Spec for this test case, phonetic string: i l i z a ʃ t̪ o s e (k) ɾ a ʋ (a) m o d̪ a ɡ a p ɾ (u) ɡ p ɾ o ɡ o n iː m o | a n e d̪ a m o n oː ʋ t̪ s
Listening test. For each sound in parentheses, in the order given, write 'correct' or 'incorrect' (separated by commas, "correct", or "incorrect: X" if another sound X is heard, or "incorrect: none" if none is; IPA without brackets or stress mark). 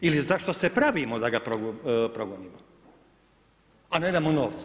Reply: incorrect: p, incorrect: i, incorrect: o